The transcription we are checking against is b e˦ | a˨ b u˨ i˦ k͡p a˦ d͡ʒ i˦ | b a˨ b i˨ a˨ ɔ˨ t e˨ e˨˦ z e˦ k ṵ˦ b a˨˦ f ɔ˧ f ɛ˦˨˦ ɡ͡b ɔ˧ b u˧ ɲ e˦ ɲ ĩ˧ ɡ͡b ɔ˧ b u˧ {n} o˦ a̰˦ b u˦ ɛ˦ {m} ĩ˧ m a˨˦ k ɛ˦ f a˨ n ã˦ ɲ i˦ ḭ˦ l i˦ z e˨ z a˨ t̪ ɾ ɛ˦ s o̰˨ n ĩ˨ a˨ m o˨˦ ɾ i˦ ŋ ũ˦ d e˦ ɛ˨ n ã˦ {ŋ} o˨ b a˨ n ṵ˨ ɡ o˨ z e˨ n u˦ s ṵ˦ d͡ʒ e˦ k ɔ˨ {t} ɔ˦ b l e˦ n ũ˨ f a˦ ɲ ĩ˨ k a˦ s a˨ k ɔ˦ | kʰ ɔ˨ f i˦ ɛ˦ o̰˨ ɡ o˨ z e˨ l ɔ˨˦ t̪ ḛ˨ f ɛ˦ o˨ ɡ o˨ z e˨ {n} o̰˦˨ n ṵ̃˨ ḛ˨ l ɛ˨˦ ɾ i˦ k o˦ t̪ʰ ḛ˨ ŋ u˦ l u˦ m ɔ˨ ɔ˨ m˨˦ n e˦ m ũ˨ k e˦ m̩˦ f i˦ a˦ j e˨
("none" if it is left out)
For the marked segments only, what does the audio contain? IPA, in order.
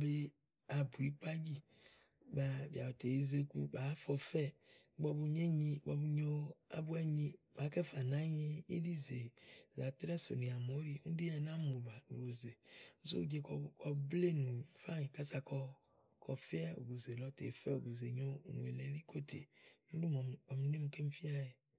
ɲ, ɲ, m, k, ɲ

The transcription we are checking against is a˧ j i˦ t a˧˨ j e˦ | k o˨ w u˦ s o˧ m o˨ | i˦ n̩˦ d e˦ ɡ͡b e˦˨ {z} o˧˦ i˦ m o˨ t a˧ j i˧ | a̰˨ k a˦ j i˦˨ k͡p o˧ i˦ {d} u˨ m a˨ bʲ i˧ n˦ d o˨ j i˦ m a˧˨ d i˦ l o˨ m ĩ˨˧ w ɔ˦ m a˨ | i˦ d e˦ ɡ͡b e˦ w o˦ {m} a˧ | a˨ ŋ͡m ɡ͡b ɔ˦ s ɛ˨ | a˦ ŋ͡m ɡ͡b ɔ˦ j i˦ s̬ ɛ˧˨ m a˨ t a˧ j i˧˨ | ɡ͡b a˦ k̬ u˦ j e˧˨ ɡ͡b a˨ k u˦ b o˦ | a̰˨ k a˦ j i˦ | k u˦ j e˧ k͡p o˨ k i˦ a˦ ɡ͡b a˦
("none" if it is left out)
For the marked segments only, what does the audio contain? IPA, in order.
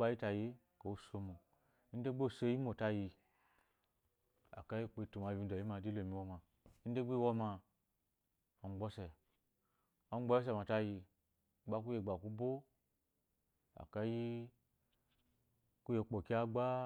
s, t, m

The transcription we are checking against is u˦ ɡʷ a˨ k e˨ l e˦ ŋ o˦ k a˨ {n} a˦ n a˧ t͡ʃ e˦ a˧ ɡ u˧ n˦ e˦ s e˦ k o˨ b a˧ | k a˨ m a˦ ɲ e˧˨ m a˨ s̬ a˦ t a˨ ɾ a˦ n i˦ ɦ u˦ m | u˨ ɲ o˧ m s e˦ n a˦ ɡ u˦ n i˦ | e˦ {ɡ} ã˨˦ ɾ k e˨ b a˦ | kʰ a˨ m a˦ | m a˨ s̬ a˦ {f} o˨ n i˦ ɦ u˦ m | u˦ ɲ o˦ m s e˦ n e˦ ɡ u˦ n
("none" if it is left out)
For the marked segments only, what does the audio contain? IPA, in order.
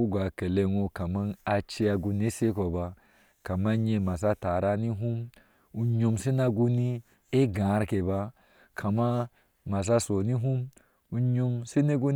m, ɡ, s

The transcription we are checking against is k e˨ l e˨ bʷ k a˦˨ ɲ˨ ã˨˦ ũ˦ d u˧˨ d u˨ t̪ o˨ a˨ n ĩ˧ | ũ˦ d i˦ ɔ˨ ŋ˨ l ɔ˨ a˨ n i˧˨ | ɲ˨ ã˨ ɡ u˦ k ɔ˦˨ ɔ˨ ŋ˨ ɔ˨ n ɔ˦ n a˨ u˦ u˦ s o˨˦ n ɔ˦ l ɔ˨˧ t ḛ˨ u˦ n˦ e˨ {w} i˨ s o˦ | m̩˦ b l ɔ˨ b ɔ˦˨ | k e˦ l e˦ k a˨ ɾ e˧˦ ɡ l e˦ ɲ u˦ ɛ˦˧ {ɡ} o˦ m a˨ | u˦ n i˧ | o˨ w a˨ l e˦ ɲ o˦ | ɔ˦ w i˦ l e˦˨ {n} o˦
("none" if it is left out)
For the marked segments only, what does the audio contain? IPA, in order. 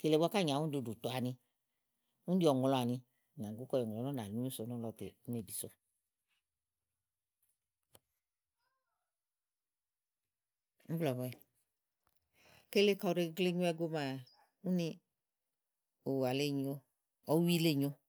b, ɡ, ɲ

